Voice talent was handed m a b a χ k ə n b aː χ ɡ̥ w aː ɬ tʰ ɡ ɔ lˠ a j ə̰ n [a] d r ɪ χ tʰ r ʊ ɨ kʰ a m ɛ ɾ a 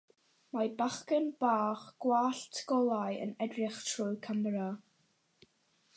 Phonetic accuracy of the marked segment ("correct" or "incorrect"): incorrect